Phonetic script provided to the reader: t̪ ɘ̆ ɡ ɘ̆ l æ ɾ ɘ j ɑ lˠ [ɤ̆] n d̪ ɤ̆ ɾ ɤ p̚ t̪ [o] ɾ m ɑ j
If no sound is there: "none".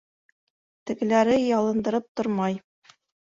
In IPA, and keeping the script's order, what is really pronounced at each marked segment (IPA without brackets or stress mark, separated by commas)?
ɤ̆, o